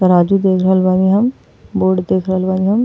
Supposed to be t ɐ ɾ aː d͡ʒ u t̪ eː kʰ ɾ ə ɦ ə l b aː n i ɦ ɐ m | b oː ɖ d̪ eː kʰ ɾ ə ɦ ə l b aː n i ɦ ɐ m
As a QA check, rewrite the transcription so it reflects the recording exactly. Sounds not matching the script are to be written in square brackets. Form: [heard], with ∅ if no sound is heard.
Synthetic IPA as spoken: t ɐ ɾ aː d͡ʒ u [d̪] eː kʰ ɾ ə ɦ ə l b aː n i ɦ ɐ m | b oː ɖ d̪ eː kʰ ɾ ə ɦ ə l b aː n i ɦ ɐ m